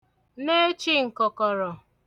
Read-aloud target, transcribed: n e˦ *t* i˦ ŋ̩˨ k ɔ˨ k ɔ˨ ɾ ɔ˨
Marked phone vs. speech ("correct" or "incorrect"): incorrect